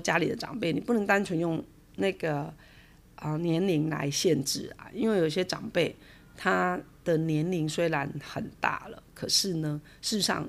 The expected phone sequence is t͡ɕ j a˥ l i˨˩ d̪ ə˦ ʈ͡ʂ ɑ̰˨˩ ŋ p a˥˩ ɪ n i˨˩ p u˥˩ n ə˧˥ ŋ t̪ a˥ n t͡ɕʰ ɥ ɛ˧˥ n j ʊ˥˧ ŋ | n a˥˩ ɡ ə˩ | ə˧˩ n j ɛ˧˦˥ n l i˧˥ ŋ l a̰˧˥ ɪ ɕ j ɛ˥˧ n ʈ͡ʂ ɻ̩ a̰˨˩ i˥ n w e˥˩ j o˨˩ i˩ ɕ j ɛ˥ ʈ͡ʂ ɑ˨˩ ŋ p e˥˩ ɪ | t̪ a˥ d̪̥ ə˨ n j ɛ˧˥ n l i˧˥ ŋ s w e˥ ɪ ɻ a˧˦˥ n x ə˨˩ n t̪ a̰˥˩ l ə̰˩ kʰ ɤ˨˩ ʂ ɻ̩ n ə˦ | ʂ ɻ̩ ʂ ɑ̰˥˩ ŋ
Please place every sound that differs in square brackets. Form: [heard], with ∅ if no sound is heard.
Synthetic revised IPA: t͡ɕ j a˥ l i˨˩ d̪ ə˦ ʈ͡ʂ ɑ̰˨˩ ŋ p [e˥˩] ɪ n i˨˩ p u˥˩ n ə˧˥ ŋ t̪ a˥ n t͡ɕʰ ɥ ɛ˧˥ n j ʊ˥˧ ŋ | n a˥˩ ɡ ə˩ | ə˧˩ n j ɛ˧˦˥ n l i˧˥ ŋ l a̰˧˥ ɪ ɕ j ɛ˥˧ n ʈ͡ʂ ɻ̩ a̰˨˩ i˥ n w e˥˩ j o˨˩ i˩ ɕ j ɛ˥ ʈ͡ʂ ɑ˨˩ ŋ p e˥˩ ɪ | [t̪ʰ] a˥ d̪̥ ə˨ n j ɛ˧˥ n l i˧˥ ŋ s w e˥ ɪ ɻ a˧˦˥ n x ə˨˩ n t̪ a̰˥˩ l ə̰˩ kʰ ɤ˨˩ ʂ ɻ̩ n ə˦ | ʂ ɻ̩ ʂ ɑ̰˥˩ ŋ